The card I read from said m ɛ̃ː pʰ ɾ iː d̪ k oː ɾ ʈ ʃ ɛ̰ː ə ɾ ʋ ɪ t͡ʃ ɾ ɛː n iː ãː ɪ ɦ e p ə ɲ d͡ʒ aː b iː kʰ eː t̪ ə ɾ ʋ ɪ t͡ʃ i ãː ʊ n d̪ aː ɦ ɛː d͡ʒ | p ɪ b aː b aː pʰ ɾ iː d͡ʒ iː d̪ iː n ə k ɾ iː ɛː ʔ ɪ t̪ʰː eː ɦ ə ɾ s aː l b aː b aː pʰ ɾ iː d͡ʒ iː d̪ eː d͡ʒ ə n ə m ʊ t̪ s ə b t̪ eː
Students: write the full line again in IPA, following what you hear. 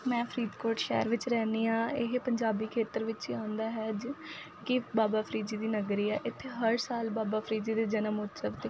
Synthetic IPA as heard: m ɛ̃ː pʰ ɾ iː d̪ k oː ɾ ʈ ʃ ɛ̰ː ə ɾ ʋ ɪ t͡ʃ ɾ ɛː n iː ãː ɪ ɦ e p ə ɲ d͡ʒ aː b iː kʰ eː t̪ ə ɾ ʋ ɪ t͡ʃ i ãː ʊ n d̪ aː ɦ ɛː d͡ʒ | k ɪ b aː b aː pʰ ɾ iː d͡ʒ iː d̪ iː n ə ɡ ɾ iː ɛː ʔ ɪ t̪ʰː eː ɦ ə ɾ s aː l b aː b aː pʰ ɾ iː d͡ʒ iː d̪ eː d͡ʒ ə n ə m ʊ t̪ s ə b t̪ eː